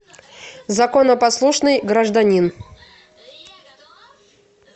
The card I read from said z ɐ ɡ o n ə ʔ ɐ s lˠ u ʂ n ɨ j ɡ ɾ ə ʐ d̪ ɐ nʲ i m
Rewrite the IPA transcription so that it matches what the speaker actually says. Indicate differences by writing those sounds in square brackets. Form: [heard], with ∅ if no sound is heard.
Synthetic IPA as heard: z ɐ [k] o n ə [p] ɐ s lˠ u ʂ n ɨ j ɡ ɾ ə ʐ d̪ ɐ nʲ i [n]